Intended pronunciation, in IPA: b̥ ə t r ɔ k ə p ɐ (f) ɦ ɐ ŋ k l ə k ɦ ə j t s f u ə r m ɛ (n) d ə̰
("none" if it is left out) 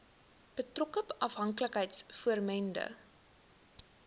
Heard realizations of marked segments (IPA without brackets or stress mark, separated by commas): f, n